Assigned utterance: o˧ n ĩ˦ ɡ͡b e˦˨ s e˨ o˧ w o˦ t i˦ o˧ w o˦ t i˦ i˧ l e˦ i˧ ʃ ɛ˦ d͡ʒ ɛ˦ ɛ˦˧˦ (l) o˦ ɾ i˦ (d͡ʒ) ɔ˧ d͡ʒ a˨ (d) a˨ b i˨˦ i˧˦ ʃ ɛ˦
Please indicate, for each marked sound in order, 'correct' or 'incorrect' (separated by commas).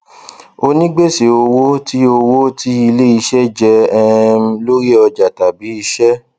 correct, incorrect, incorrect